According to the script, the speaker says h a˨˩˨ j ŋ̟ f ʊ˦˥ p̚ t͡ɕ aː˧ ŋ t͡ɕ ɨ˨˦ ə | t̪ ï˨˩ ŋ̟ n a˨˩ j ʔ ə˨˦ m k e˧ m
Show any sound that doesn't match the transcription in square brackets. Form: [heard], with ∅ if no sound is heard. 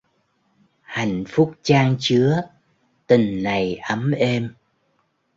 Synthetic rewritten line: h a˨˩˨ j ŋ̟ f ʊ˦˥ [k͡p̚] t͡ɕ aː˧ ŋ t͡ɕ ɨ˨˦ ə | t̪ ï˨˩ ŋ̟ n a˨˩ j ʔ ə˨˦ m [ʔ] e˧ m